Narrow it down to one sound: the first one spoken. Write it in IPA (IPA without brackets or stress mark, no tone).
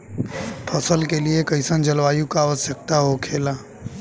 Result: pʰ